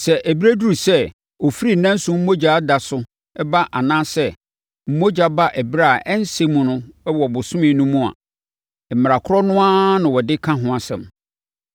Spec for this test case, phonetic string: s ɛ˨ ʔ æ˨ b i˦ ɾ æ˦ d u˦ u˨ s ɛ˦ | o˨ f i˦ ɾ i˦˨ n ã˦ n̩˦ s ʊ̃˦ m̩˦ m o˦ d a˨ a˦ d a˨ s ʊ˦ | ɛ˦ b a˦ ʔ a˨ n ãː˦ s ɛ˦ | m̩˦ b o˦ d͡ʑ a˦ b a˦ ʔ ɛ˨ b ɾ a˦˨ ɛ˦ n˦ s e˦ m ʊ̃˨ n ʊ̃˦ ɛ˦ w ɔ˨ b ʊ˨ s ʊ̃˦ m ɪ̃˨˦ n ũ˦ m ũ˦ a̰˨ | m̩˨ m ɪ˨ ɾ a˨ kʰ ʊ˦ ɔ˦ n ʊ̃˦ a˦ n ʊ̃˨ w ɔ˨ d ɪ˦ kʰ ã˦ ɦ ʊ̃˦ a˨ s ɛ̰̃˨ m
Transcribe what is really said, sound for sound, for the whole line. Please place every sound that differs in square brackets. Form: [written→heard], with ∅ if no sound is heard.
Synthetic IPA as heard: s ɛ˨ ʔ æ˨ b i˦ ɾ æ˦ d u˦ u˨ s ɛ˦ | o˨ f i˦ ɾ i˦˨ n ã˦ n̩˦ s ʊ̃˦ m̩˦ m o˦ [d→d͡ʑ] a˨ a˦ d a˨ s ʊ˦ | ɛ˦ b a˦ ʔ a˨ n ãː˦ s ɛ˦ | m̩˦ [b→m] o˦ d͡ʑ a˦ b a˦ ʔ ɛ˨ b ɾ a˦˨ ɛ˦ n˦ s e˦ m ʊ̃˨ n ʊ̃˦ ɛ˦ w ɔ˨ b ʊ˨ s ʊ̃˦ m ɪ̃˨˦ n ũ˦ m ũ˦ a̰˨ | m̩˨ m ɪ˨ ɾ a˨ kʰ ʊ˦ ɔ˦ n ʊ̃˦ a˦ n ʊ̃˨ w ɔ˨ d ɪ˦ kʰ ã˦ ɦ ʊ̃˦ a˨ s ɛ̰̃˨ m

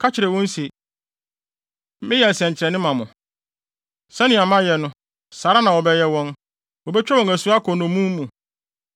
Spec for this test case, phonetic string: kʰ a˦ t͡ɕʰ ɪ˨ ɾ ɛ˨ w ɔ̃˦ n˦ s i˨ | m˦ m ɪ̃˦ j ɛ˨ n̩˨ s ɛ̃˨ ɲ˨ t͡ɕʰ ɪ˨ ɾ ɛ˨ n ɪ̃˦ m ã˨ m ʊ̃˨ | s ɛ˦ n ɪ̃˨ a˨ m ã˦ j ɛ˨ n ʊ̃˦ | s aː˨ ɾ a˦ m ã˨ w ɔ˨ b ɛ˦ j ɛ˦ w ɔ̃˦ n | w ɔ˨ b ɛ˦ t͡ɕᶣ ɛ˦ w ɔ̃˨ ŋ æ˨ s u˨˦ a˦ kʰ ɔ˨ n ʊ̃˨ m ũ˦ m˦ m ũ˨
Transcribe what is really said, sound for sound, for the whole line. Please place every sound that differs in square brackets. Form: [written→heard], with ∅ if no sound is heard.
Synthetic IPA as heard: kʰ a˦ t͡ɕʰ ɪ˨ ɾ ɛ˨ w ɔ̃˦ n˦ s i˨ | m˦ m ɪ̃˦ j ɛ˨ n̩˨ s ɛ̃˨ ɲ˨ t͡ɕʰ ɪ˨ ɾ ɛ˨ n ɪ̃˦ m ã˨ m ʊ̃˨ | s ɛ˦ n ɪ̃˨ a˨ m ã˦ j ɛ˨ n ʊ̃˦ | s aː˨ ɾ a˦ [m→n] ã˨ w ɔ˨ b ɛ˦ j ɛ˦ w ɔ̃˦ n | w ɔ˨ b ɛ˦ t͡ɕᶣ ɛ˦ w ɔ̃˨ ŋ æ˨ s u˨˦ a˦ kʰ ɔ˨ n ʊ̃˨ m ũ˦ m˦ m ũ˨

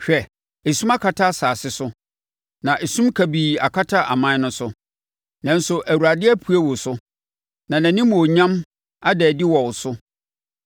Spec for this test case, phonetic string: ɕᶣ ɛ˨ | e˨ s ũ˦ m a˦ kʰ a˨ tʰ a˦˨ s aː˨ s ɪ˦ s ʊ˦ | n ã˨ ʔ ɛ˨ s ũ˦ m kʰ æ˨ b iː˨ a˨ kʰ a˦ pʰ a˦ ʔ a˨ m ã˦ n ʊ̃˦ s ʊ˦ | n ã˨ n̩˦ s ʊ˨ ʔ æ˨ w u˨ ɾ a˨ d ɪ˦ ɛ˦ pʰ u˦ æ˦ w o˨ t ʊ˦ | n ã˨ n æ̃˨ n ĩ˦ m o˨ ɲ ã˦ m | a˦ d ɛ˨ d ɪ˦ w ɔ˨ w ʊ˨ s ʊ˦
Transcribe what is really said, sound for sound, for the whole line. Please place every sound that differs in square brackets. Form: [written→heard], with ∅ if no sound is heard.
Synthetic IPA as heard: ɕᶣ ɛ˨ | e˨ s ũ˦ m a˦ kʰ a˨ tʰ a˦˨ s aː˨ s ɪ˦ s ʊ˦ | n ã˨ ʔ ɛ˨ s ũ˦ m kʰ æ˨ b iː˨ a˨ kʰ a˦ [pʰ→tʰ] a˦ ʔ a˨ m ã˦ n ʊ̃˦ s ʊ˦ | n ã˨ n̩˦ s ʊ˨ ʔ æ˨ w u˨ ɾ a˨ d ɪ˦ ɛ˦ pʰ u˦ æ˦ w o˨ [t→s] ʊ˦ | n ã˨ n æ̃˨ n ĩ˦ m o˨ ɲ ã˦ m | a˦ d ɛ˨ d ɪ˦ w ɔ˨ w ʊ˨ s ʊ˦

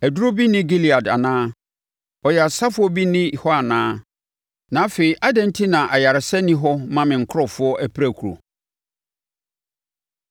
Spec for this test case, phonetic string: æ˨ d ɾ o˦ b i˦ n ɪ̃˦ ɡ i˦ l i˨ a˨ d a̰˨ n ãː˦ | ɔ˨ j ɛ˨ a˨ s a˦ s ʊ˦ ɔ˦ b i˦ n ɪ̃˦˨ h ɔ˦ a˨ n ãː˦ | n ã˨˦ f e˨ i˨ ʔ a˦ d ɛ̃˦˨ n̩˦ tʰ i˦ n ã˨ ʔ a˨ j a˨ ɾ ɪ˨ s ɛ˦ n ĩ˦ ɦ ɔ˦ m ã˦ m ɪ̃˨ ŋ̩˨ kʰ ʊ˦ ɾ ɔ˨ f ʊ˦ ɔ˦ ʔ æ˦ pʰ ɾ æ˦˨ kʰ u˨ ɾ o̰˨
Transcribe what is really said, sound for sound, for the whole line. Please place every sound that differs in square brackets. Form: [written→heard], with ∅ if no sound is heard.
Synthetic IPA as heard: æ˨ d ɾ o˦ b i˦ n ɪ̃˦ ɡ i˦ l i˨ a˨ d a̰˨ n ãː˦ | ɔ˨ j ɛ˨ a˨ s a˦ [s→f] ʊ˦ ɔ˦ b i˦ n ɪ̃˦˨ h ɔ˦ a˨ n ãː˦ | n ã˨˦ f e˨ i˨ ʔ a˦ d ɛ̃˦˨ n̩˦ tʰ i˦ n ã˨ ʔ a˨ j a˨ ɾ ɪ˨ s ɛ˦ n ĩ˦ ɦ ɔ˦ m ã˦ m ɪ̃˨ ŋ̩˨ kʰ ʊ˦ ɾ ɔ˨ f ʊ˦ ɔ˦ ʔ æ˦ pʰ ɾ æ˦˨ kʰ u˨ ɾ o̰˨

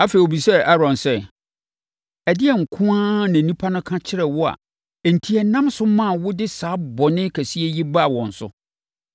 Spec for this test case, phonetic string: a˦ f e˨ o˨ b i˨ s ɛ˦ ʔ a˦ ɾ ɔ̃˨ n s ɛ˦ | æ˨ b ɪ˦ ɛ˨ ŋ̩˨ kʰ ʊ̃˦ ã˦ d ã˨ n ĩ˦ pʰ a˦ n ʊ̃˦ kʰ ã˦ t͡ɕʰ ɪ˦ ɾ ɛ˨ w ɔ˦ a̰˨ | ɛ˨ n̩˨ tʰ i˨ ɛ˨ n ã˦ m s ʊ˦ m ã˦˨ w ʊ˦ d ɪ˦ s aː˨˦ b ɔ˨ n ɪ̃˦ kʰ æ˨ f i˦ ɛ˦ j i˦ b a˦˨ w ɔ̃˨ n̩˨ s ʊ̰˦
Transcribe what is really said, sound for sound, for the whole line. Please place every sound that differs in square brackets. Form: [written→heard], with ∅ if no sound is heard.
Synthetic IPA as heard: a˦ f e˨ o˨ b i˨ s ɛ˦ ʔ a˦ ɾ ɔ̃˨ n s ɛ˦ | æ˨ [b→d] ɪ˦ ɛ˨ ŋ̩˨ kʰ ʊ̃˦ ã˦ [d→n] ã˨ n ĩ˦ pʰ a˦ n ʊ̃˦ kʰ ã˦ t͡ɕʰ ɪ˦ ɾ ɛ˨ w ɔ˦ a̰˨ | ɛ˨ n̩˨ tʰ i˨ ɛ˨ n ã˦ m s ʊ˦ m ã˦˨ w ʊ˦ d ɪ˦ s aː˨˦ b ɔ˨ n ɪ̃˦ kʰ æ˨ [f→s] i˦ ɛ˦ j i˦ b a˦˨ w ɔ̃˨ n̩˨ s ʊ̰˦

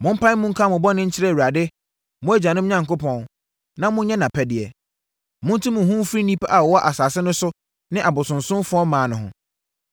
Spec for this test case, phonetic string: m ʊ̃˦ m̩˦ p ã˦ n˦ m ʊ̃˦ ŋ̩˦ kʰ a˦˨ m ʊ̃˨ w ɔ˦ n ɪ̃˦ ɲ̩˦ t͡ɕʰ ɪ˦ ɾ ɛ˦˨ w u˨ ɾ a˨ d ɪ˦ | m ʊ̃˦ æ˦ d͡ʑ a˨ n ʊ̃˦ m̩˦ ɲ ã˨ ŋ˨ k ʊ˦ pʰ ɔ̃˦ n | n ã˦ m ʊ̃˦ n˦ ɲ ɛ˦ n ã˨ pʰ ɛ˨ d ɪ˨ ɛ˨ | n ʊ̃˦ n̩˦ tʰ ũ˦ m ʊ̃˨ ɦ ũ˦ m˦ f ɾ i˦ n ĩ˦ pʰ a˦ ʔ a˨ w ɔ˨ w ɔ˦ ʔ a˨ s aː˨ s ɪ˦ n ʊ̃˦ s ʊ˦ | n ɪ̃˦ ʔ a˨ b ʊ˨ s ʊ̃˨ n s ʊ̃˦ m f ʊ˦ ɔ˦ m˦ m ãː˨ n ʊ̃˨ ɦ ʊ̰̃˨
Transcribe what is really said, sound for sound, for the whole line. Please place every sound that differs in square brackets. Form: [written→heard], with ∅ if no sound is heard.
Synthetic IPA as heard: m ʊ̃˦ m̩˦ p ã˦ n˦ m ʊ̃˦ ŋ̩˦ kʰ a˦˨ m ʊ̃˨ [w→b] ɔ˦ n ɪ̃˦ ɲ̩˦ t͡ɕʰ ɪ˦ ɾ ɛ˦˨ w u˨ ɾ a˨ d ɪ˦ | m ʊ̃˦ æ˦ d͡ʑ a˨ n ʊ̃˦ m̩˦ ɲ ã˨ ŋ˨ k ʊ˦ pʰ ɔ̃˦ n | n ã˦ m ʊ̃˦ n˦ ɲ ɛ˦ n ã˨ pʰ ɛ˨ d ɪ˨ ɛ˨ | [n→m] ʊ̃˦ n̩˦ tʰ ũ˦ m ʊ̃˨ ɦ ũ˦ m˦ f ɾ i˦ n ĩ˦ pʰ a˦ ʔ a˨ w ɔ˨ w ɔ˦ ʔ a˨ s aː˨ s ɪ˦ n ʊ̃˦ s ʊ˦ | n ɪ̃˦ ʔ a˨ b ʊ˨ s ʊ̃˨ n s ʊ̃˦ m f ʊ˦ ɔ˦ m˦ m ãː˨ n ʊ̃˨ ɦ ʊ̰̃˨

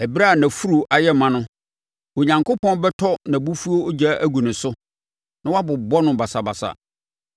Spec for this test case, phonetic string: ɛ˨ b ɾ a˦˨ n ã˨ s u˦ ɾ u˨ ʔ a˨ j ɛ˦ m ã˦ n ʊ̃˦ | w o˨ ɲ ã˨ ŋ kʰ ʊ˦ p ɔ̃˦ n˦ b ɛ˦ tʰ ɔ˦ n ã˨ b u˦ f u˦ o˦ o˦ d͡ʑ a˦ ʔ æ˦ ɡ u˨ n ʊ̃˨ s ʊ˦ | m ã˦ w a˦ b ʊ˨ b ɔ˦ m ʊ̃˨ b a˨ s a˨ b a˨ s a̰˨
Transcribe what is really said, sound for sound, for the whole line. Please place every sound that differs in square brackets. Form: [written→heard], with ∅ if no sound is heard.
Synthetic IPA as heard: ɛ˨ b ɾ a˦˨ n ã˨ [s→f] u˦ ɾ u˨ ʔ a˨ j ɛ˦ m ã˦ n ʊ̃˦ | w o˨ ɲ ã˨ ŋ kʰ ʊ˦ p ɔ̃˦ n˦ b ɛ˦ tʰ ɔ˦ n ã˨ b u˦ f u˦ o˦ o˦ d͡ʑ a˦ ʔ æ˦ ɡ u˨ n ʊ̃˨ s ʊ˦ | [m→n] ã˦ w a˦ b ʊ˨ b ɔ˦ [m→n] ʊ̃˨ b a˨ s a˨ b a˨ s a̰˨

